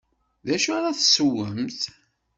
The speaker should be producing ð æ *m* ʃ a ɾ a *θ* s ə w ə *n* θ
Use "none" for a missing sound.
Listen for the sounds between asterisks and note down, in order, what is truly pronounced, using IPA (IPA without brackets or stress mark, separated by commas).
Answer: none, θ, m